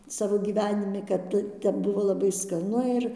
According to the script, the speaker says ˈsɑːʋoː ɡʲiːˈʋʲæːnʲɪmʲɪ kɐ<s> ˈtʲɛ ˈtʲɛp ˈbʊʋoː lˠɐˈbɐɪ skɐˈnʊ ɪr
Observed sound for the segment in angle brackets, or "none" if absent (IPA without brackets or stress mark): t